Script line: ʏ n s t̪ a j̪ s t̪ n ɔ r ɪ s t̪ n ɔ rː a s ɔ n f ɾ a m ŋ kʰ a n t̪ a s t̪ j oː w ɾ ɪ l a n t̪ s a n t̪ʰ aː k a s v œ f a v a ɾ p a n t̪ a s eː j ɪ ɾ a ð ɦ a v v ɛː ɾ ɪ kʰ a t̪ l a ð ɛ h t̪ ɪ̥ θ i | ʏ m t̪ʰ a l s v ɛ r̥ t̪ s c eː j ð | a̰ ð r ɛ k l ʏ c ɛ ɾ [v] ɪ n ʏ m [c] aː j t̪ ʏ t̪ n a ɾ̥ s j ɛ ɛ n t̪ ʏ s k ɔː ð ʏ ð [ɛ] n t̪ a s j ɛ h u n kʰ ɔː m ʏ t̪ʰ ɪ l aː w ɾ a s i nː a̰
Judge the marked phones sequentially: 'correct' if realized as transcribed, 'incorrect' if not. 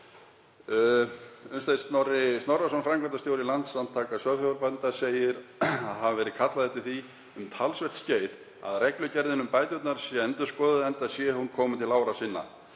incorrect, incorrect, correct

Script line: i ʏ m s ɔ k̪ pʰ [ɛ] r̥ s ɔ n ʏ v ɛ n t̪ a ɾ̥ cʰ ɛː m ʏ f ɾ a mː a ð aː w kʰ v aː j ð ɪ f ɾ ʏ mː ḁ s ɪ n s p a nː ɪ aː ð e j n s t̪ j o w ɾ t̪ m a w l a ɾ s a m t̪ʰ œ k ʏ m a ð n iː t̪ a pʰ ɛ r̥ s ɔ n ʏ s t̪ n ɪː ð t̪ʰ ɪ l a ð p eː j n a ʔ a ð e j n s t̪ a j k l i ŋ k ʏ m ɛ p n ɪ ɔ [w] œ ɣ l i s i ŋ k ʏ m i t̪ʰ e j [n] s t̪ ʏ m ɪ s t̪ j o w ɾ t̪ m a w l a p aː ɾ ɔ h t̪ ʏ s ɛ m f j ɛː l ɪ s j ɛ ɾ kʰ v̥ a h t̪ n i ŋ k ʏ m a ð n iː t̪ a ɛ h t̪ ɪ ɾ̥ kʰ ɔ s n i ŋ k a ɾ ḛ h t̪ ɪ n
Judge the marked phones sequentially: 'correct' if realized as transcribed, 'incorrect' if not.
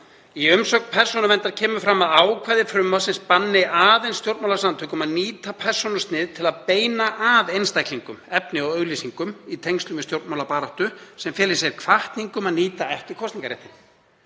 correct, incorrect, incorrect

